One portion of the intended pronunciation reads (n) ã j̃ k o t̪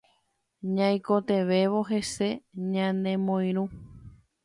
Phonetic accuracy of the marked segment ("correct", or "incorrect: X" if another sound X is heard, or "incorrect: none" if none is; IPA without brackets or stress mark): incorrect: ɲ